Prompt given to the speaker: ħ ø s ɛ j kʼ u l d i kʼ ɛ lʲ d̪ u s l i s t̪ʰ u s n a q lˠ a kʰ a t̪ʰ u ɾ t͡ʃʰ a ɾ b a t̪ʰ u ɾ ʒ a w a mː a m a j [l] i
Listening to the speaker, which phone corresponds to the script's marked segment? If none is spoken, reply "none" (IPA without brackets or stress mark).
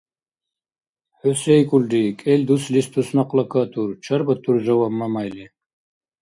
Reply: l